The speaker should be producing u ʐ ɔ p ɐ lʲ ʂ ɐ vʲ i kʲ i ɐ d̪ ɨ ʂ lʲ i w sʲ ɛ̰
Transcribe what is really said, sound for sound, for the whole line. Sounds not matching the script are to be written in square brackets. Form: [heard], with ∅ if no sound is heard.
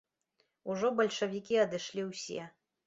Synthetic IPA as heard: u ʐ ɔ [b] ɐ lʲ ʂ ɐ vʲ i kʲ i ɐ d̪ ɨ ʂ lʲ i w sʲ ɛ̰